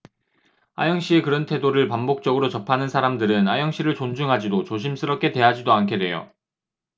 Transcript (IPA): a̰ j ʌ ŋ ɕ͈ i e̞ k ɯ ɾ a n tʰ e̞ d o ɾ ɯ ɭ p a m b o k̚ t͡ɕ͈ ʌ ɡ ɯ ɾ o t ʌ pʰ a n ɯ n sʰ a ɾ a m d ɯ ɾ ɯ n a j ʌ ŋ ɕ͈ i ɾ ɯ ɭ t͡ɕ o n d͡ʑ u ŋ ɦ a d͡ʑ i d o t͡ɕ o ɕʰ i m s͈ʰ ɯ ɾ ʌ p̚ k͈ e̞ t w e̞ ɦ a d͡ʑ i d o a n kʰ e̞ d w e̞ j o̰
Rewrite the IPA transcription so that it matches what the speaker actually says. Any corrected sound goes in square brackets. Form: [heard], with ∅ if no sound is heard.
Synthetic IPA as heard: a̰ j ʌ ŋ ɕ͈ i e̞ k ɯ ɾ [ʌ] n tʰ e̞ d o ɾ ɯ ɭ p a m b o k̚ t͡ɕ͈ ʌ ɡ ɯ ɾ o [t͡ɕ] ʌ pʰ a n ɯ n sʰ a ɾ a m d ɯ ɾ ɯ n a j ʌ ŋ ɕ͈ i ɾ ɯ ɭ t͡ɕ o n d͡ʑ u ŋ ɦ a d͡ʑ i d o t͡ɕ o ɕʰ i m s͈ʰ ɯ ɾ ʌ p̚ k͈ e̞ t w e̞ ɦ a d͡ʑ i d o a n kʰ e̞ d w e̞ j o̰